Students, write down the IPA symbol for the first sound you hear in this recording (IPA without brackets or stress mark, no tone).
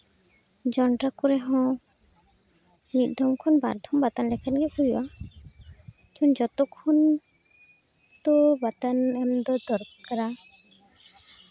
d͡ʒ